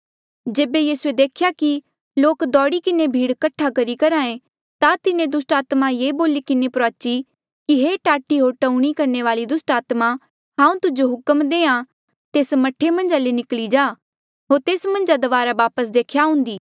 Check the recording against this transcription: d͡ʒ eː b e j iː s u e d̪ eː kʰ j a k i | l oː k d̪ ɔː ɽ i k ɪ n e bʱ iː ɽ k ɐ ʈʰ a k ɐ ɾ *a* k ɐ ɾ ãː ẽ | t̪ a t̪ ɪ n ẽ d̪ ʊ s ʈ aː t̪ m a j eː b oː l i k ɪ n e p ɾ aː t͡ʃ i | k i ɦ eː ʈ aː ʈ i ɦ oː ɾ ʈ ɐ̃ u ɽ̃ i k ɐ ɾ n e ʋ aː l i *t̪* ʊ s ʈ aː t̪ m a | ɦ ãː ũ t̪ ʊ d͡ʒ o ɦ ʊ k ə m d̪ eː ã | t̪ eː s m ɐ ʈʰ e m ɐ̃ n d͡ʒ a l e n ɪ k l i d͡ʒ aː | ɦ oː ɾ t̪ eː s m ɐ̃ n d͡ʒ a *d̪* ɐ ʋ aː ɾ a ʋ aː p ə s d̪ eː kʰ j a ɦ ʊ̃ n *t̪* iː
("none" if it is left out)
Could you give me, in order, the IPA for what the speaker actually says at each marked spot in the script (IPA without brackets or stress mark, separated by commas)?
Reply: i, d̪, d̪, d̪